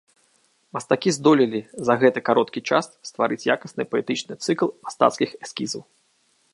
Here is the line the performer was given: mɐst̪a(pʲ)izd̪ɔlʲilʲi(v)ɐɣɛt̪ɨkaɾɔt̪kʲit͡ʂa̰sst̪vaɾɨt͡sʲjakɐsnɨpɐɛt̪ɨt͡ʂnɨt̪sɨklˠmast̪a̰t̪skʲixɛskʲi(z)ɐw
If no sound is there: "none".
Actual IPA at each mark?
kʲ, z, z

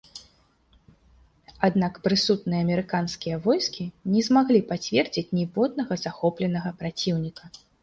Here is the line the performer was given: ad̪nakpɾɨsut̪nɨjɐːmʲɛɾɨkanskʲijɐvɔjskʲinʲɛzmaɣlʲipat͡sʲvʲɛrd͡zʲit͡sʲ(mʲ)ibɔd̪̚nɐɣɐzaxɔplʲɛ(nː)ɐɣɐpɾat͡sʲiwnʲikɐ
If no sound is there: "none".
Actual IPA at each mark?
nʲ, n

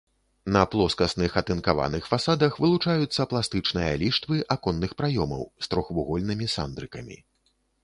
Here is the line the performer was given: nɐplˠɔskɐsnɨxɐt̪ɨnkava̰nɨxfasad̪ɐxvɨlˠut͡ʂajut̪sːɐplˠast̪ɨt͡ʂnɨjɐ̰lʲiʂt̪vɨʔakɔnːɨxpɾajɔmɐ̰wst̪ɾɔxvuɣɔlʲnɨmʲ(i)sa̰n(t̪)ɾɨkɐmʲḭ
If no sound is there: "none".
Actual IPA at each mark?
i, d̪

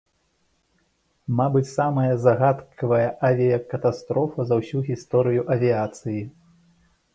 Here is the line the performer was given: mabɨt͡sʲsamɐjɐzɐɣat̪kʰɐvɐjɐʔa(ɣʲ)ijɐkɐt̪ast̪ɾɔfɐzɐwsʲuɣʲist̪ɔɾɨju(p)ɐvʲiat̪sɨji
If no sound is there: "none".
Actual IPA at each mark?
vʲ, ʔ

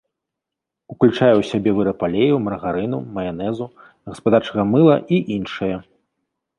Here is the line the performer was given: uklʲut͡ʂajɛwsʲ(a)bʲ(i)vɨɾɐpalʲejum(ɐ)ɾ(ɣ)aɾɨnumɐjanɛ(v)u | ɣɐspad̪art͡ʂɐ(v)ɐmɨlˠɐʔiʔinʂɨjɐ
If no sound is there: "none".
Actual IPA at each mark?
a, ɛ, ɐ, ɣ, z, ɣ

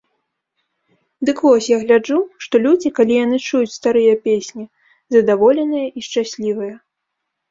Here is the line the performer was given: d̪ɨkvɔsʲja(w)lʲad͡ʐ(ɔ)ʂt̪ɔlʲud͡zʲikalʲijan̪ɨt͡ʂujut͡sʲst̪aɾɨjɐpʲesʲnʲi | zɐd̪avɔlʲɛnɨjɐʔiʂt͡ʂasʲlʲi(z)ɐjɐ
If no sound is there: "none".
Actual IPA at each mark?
ɣ, u, v

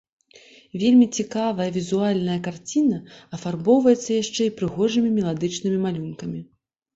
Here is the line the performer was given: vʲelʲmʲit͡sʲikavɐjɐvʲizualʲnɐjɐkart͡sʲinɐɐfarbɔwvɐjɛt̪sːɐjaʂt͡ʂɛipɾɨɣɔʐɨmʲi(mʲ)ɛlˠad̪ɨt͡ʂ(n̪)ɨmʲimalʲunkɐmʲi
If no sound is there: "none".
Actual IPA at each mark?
mʲ, n̪

